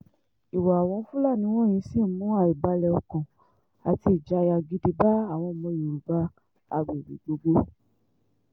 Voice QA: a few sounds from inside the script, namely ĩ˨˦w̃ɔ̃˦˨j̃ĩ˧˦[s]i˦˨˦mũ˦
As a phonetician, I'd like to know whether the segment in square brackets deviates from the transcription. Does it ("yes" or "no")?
no